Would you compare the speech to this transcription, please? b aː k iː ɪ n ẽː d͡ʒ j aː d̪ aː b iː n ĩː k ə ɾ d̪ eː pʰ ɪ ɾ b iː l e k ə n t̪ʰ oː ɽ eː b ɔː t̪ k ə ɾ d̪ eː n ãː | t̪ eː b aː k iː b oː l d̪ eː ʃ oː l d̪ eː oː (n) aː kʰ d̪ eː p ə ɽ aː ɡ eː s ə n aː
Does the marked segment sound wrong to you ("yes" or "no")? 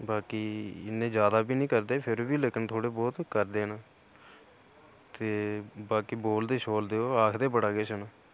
yes